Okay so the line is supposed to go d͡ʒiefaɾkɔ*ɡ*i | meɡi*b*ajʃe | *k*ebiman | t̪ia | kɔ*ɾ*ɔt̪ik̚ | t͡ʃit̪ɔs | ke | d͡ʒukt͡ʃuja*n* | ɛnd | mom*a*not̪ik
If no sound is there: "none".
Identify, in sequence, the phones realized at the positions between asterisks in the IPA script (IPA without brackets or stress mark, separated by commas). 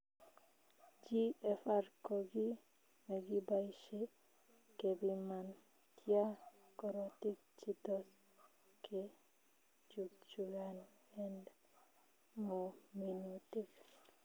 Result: ɡ, b, k, ɾ, n, i